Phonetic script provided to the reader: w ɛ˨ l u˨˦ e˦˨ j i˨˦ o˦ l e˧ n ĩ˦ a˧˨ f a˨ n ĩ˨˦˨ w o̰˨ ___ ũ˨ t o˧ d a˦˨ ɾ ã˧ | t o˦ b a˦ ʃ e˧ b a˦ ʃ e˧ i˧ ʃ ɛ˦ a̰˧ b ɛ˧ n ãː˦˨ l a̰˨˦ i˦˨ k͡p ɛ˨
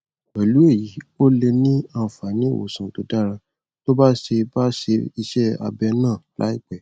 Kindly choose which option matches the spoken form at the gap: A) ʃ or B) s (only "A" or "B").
B